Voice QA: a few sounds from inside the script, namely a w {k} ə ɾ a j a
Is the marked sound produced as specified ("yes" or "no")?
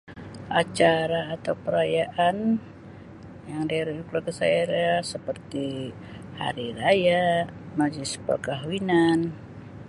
no